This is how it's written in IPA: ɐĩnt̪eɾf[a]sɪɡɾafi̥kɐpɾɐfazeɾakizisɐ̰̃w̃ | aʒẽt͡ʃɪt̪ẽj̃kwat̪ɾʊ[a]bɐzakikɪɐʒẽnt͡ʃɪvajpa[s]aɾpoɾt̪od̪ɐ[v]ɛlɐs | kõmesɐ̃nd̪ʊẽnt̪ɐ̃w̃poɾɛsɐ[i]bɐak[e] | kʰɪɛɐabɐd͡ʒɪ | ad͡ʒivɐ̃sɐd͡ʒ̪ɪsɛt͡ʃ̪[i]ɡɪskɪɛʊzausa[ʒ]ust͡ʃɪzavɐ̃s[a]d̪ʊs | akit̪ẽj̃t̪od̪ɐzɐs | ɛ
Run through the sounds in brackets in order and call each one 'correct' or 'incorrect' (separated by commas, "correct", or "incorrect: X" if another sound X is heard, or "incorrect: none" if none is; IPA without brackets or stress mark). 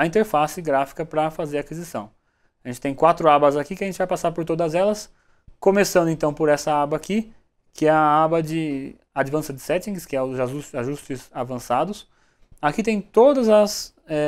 correct, correct, correct, incorrect: z, incorrect: a, incorrect: i, incorrect: ĩ, correct, correct